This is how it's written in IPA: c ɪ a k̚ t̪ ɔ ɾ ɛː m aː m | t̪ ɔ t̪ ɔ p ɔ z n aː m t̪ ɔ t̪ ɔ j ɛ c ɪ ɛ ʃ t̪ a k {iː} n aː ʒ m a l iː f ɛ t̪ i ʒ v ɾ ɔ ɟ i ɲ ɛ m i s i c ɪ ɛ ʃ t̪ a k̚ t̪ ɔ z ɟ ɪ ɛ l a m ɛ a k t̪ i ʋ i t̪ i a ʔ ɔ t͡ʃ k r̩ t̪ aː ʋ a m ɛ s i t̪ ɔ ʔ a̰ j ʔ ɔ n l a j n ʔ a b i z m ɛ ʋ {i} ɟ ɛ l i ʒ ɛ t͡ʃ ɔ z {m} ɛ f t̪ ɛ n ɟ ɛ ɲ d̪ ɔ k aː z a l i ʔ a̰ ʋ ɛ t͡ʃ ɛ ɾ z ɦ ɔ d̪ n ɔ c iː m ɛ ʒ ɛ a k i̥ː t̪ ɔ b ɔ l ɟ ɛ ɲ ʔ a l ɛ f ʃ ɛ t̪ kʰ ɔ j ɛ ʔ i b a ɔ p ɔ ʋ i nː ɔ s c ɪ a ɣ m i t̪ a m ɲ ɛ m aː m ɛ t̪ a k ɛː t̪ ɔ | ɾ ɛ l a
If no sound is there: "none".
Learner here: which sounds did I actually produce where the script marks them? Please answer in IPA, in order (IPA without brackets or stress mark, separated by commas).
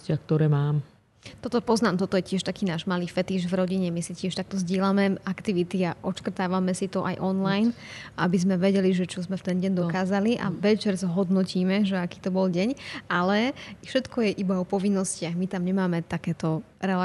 iː, ɛ, m